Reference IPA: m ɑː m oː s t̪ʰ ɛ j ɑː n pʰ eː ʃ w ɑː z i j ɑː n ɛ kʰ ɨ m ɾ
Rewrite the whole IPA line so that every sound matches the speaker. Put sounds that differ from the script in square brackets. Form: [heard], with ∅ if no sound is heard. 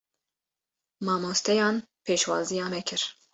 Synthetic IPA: m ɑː m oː s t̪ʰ ɛ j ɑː n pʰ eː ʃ w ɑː z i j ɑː [m] ɛ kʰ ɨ [∅] ɾ